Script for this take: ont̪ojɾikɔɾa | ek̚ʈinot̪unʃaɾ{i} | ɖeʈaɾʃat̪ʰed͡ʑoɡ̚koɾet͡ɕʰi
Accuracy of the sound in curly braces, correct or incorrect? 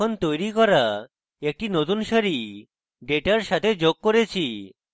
correct